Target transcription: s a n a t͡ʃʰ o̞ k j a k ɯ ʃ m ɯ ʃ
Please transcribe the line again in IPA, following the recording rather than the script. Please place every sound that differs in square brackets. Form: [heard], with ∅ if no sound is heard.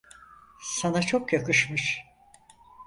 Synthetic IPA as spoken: s a n a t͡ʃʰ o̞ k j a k ɯ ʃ m ɯ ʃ